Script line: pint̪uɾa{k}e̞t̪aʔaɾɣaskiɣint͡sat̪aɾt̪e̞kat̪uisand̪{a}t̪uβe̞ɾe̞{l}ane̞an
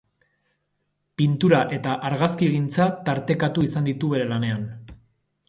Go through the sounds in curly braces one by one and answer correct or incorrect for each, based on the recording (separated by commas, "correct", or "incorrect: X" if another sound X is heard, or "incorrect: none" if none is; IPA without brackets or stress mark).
incorrect: ʔ, incorrect: i, correct